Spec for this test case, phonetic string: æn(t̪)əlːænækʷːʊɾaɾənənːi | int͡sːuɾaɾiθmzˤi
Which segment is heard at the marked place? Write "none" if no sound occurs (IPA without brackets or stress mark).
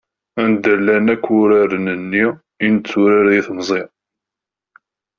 d̪